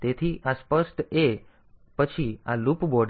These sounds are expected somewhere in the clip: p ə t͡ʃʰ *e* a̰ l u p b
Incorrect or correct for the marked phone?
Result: incorrect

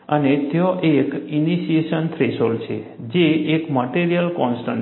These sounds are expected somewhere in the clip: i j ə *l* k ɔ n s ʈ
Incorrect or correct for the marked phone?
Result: correct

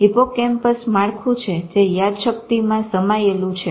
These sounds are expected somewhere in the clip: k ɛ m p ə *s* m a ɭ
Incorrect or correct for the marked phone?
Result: correct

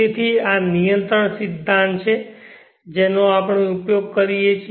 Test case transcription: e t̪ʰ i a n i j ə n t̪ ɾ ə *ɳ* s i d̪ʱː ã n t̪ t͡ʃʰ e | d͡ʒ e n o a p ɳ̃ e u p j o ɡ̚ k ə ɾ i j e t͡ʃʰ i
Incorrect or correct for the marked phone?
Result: correct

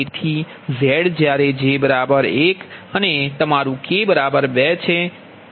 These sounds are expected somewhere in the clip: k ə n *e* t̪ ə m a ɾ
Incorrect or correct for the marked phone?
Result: correct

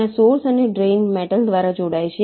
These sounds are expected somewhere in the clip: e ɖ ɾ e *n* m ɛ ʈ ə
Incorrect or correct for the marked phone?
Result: correct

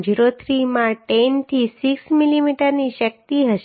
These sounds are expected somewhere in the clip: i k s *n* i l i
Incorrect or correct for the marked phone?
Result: incorrect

